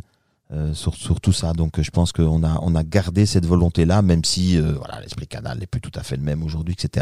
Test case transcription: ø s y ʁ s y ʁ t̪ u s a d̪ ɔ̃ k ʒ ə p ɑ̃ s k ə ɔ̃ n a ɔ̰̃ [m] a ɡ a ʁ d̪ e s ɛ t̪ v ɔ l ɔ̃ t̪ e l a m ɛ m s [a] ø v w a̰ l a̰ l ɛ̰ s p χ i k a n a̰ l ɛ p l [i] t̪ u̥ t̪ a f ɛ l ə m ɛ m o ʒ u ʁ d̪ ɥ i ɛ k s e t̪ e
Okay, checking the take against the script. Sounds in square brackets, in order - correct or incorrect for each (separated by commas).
incorrect, incorrect, incorrect